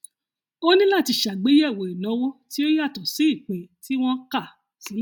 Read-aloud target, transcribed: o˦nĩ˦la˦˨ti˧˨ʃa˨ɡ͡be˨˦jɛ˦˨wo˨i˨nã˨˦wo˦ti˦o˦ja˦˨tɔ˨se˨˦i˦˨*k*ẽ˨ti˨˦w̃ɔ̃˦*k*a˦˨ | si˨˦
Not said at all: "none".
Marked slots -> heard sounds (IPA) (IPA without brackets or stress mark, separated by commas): k͡p, k